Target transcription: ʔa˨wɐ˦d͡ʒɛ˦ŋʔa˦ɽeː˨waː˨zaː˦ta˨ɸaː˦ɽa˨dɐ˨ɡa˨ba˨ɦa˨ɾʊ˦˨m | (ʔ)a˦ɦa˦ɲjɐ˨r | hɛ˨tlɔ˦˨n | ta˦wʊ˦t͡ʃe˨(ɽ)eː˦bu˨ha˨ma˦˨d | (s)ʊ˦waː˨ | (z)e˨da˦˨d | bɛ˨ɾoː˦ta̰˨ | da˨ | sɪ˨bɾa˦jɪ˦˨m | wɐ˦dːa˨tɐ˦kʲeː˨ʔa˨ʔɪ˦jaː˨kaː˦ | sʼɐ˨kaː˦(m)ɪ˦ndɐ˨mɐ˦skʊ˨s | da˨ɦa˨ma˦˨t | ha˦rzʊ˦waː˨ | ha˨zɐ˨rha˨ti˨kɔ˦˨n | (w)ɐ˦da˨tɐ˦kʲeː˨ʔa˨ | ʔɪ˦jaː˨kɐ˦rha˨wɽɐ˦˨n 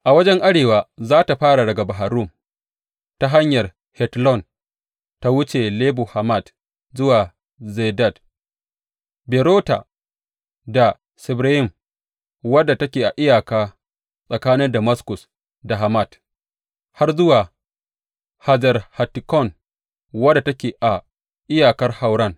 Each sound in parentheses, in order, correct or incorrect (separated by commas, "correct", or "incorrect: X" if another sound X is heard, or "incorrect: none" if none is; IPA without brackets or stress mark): incorrect: t, incorrect: l, incorrect: z, correct, incorrect: n, correct